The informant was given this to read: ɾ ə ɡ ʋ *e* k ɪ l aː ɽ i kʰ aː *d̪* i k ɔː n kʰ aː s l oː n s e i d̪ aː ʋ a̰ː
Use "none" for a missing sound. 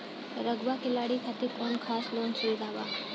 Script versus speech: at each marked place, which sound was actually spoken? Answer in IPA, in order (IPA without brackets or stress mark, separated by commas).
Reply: a, t̪